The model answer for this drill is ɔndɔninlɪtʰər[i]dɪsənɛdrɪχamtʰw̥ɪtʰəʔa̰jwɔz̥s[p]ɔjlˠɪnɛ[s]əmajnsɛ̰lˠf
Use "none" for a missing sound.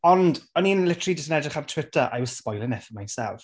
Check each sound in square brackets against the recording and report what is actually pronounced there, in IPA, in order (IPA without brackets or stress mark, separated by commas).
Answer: i, p, f